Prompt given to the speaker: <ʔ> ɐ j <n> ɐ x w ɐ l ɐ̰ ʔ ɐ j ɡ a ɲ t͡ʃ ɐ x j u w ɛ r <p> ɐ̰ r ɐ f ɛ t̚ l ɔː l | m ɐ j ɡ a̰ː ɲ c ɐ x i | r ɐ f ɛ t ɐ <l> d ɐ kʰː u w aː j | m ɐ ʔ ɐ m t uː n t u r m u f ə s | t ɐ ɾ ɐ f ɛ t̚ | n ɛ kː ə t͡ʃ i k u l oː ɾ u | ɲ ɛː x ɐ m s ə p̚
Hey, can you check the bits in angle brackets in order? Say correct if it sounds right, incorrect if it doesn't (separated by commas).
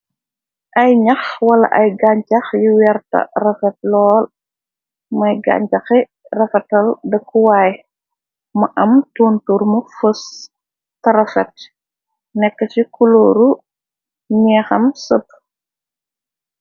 correct, incorrect, incorrect, correct